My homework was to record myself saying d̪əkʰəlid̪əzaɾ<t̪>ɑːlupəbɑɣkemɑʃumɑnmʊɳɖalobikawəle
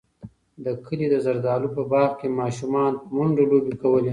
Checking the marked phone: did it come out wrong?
yes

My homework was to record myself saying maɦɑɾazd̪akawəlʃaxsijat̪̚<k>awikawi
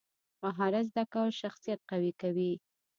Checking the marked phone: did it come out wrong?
yes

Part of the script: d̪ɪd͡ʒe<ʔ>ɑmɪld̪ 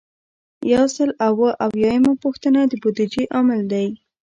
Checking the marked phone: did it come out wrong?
no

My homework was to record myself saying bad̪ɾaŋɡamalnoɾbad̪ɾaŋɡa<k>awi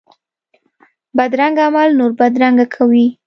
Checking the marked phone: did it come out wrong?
yes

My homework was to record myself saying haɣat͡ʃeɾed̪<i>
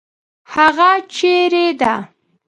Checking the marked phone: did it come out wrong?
yes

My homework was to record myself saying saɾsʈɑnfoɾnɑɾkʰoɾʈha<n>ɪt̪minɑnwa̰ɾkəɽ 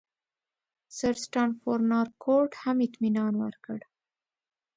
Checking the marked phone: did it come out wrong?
yes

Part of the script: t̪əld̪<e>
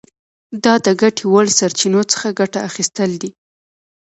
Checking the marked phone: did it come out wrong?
yes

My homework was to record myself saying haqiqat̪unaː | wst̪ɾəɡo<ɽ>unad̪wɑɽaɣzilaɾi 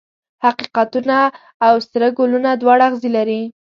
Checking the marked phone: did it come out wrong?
yes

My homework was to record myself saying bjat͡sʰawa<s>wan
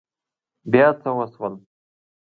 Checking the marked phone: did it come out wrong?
no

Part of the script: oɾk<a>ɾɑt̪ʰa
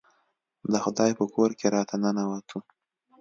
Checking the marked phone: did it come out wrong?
yes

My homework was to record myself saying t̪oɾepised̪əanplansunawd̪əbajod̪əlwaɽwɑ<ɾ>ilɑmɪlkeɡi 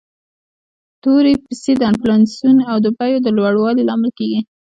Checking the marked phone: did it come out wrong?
yes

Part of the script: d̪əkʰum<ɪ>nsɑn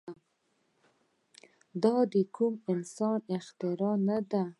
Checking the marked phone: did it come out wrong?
no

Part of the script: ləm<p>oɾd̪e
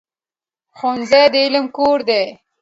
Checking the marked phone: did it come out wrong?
yes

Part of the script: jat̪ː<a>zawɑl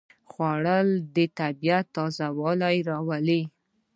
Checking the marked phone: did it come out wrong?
yes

